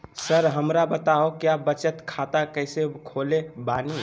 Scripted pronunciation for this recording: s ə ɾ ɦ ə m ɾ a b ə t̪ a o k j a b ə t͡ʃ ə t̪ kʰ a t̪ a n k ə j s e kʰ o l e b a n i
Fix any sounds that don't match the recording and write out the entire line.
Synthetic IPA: s ə ɾ ɦ ə m ɾ a b ə t̪ a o k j a b ə t͡ʃ ə t̪ kʰ a t̪ a k ə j s e kʰ o l e b a n i